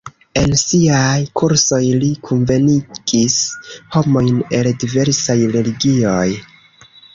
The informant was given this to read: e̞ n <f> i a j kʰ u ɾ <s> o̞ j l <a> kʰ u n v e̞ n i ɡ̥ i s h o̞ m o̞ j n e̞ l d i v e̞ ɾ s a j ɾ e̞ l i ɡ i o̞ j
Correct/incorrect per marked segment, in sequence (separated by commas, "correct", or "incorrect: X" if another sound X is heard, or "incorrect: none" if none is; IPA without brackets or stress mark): incorrect: s, correct, incorrect: i